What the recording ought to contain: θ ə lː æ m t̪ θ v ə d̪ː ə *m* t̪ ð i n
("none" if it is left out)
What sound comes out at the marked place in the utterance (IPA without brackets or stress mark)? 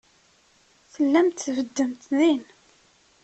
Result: m